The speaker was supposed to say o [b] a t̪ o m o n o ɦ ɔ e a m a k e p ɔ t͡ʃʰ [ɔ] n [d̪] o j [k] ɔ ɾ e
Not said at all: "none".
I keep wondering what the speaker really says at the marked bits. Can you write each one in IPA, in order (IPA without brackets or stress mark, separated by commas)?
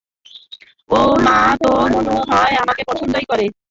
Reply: m, o, d̪, k